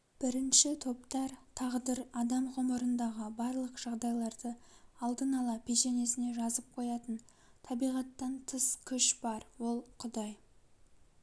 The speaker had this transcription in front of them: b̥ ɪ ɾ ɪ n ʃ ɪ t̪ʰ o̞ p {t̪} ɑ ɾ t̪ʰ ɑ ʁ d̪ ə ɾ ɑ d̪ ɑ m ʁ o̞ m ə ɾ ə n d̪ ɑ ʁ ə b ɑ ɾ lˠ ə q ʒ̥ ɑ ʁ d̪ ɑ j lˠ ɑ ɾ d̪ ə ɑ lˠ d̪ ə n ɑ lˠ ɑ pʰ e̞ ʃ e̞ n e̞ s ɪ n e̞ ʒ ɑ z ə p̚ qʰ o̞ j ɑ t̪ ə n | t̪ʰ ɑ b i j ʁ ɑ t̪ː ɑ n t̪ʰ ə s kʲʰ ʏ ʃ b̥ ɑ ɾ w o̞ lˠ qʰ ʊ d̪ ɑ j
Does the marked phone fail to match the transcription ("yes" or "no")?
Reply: no